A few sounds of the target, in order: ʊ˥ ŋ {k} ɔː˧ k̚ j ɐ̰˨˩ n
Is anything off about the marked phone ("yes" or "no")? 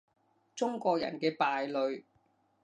no